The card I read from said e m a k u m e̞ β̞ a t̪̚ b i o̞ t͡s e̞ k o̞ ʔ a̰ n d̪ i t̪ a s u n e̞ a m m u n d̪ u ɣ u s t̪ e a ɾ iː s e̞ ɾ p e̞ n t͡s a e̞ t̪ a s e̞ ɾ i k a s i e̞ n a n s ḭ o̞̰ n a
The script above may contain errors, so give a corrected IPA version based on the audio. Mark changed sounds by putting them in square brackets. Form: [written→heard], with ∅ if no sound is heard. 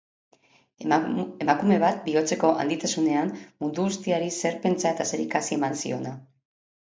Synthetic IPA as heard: e m a k u m e̞ β̞ a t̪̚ b i o̞ t͡s e̞ k o̞ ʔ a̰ n d̪ i t̪ a s u n e̞ a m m u n d̪ u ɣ u s t̪ [e→i] a ɾ [iː→i] s e̞ ɾ p e̞ n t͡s a e̞ t̪ a s e̞ ɾ i k a s i e̞ [n→m] a n s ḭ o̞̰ n a

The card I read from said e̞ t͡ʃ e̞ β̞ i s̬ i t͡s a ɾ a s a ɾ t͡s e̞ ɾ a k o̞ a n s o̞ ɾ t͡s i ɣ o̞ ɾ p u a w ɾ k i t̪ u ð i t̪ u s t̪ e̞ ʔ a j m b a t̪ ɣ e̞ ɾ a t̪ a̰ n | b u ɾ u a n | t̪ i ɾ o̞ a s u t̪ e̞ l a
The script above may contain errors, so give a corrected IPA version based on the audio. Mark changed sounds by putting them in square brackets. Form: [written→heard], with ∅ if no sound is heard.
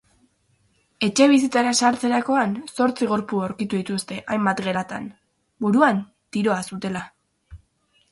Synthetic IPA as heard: e̞ t͡ʃ e̞ β̞ i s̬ i t͡s a ɾ a s a ɾ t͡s e̞ ɾ a k o̞ a n s o̞ ɾ t͡s i ɣ o̞ ɾ p u a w ɾ k i t̪ u ð i t̪ u s t̪ e̞ ʔ a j m b a t̪ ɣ e̞ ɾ a t̪ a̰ n | b u ɾ u a n | t̪ i ɾ o̞ a s u t̪ e̞ l a

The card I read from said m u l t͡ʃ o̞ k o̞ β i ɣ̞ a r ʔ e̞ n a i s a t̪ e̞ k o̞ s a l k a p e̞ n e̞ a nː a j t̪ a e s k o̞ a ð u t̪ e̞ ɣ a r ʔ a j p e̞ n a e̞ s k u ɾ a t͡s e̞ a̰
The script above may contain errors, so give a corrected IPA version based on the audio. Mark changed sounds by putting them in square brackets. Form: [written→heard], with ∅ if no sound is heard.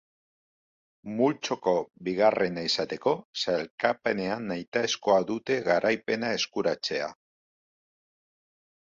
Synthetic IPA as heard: m u l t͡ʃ o̞ k o̞ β i ɣ̞ a r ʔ e̞ n a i s a t̪ e̞ k o̞ s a l k a p e̞ n e̞ a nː a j t̪ a e s k o̞ a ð u t̪ e̞ ɣ a [r→ɾ] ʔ a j p e̞ n a e̞ s k u ɾ a t͡s e̞ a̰

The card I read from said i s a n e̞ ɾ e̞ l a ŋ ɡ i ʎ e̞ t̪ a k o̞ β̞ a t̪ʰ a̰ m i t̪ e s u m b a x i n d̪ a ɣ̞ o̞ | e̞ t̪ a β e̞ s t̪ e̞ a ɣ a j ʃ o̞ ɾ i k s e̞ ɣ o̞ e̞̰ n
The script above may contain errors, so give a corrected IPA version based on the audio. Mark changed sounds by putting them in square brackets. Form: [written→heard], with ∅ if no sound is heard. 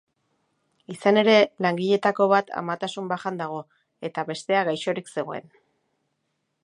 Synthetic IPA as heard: i s a n e̞ ɾ e̞ l a ŋ ɡ i ʎ e̞ t̪ a k o̞ β̞ a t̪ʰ a̰ m [i→a] t̪ [e→a] s u m b a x [i→a] n d̪ a ɣ̞ o̞ | e̞ t̪ a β e̞ s t̪ e̞ a ɣ a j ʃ o̞ ɾ i k s e̞ ɣ o̞ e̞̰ n

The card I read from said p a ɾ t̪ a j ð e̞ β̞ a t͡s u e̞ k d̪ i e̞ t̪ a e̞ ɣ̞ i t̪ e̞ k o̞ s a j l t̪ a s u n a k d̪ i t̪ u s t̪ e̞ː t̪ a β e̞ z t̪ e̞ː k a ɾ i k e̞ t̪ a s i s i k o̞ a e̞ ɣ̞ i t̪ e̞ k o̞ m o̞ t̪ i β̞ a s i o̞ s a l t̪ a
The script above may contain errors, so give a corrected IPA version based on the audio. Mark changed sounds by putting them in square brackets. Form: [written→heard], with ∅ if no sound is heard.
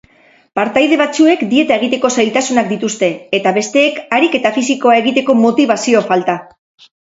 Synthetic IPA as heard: p a ɾ t̪ a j ð e̞ β̞ a t͡s u e̞ k d̪ i e̞ t̪ a e̞ ɣ̞ i t̪ e̞ k o̞ s a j l t̪ a s u n a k d̪ i t̪ u s t̪ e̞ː t̪ a β e̞ [z→s] t̪ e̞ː k a ɾ i k e̞ t̪ a [s→f] i s i k o̞ a e̞ ɣ̞ i t̪ e̞ k o̞ m o̞ t̪ i β̞ a s i o̞ [s→f] a l t̪ a

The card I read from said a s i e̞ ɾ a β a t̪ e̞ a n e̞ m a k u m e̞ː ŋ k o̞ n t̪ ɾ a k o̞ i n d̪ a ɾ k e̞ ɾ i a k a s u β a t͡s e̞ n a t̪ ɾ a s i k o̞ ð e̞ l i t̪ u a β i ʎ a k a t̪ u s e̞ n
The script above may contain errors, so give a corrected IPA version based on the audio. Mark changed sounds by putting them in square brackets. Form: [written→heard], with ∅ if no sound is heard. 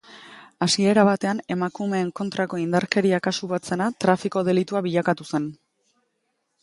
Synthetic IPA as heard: a s i e̞ ɾ a β a t̪ e̞ a n e̞ m a k u m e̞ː ŋ k o̞ n t̪ ɾ a k o̞ i n d̪ a ɾ k e̞ ɾ i a k a s u β a t͡s e̞ n a t̪ ɾ a [s→f] i k o̞ ð e̞ l i t̪ u a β i ʎ a k a t̪ u s e̞ n

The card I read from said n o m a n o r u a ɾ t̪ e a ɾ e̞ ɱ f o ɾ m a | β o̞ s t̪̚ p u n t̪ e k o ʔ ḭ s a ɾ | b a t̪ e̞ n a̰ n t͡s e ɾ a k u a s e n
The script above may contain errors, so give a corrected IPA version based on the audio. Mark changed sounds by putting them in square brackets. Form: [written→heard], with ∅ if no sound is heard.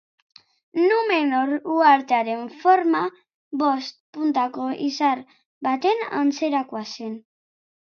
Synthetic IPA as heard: n [o→u] m [a→e] n o [r→ɾ] u a ɾ t̪ e a ɾ e̞ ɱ f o ɾ m a | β o̞ s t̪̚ p u n t̪ [e→a] k o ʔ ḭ s a ɾ | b a t̪ e̞ n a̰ n t͡s e ɾ a k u a s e n

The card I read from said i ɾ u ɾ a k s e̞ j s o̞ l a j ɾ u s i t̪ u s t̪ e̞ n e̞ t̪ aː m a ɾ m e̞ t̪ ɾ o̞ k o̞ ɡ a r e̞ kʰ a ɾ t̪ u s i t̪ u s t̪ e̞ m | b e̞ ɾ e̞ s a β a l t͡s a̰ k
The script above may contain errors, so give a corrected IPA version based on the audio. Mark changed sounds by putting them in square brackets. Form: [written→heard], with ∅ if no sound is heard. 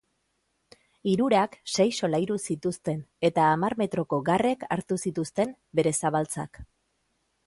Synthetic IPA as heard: i ɾ u ɾ a k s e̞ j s o̞ l a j ɾ u s i t̪ u s t̪ e̞ n e̞ t̪ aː m a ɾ m e̞ t̪ ɾ o̞ k o̞ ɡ a r e̞ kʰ a ɾ t̪ u s i t̪ u s t̪ e̞ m | b e̞ ɾ e̞ s a β a l t͡s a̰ k

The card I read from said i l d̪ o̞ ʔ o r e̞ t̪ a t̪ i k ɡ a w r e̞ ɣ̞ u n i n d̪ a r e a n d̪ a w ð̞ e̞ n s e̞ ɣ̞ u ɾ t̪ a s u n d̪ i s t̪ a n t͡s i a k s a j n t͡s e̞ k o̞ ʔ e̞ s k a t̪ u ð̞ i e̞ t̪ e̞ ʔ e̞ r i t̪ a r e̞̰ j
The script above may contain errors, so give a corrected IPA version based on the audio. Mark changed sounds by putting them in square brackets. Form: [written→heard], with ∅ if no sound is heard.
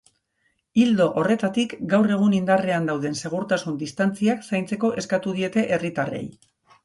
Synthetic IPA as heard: i l d̪ o̞ ʔ o r e̞ t̪ a t̪ i k ɡ a w r e̞ ɣ̞ u n i n d̪ a r e a n d̪ a w ð̞ e̞ n s e̞ ɣ̞ u ɾ t̪ a s u n d̪ i s t̪ a n t͡s i a k s a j n t͡s e̞ k o̞ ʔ e̞ s k a t̪ u ð̞ i e̞ t̪ e̞ ʔ e̞ r i t̪ a r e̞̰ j

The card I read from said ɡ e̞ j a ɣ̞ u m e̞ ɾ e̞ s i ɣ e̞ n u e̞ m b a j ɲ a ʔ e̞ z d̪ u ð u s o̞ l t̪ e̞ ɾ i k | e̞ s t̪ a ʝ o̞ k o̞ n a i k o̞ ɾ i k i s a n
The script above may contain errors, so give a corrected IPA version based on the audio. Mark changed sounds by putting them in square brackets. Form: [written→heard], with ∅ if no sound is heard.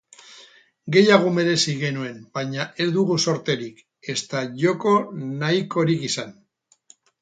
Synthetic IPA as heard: ɡ e̞ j a ɣ̞ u m e̞ ɾ e̞ s i ɣ e̞ n u e̞ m b a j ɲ a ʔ e̞ z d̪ u [ð→ɣ] u s o̞ [l→ɾ] t̪ e̞ ɾ i k | e̞ s t̪ a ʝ o̞ k o̞ n a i k o̞ ɾ i k i s a n

